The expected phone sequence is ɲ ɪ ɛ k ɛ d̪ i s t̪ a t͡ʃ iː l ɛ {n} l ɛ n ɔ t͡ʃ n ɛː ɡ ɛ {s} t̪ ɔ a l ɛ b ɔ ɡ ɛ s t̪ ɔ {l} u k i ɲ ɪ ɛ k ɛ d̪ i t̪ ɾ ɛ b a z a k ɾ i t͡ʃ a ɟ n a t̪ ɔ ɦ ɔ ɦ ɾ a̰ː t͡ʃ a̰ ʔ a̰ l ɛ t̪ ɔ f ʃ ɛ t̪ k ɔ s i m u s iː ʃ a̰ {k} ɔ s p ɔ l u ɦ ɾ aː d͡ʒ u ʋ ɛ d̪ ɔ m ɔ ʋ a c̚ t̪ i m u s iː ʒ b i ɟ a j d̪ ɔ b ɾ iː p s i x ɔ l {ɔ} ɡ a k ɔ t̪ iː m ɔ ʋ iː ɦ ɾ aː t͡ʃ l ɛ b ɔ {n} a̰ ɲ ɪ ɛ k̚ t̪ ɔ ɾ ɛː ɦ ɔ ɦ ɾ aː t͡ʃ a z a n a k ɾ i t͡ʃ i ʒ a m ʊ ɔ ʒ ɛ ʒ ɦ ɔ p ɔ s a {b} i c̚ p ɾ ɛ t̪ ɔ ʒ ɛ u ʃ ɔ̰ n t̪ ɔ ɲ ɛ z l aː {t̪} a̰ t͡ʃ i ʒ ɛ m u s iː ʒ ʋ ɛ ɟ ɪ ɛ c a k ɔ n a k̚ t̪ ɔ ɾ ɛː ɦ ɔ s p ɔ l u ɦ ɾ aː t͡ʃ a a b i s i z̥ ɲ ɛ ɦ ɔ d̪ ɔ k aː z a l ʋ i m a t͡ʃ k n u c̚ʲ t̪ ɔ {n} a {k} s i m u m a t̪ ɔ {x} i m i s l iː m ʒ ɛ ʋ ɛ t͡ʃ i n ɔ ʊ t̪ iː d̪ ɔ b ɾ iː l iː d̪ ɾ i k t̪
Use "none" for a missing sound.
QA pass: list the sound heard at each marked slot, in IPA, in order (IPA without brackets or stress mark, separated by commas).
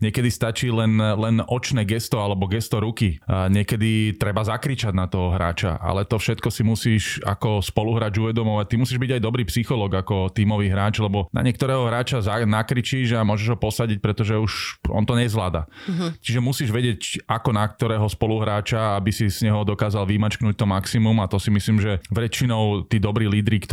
n, s, ɾ, k, ɔː, n, ɟ, d̪, m, k, s